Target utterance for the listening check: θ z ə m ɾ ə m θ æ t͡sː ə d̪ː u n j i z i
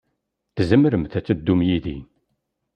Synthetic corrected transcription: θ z ə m ɾ ə m θ æ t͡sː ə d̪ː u m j i ð i